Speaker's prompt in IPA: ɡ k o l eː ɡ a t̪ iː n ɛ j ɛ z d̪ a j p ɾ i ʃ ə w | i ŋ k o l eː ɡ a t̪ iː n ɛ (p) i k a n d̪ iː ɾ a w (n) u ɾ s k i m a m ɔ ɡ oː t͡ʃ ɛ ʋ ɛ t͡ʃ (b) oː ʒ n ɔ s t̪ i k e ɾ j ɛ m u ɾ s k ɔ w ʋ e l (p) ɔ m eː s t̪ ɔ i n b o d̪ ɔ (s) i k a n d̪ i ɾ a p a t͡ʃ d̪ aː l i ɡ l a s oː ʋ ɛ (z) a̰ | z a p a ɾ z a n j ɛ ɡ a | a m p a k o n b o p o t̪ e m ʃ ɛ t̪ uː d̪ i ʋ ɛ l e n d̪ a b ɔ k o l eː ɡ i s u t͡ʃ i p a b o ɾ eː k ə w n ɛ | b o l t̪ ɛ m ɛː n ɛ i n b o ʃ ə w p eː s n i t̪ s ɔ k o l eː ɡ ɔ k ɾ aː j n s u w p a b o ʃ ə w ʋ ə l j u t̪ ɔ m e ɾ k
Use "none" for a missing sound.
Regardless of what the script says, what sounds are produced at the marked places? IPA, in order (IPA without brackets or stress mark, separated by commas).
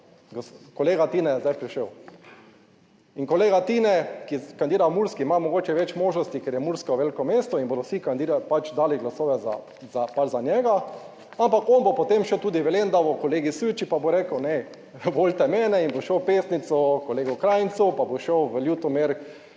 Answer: k, m, m, k, s, z